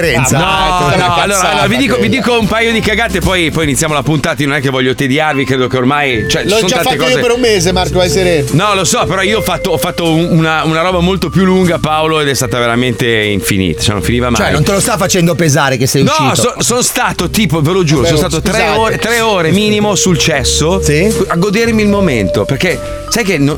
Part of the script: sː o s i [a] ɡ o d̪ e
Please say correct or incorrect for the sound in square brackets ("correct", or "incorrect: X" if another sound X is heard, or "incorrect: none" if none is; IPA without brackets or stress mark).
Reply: correct